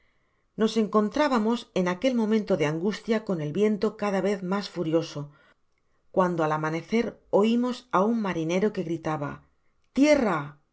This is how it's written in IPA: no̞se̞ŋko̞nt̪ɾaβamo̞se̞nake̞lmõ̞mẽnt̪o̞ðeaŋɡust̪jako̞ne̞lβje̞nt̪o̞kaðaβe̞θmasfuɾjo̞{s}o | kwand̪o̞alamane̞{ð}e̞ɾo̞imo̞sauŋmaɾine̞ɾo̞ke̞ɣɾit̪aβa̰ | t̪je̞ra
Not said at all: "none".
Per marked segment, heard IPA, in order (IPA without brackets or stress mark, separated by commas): s, θ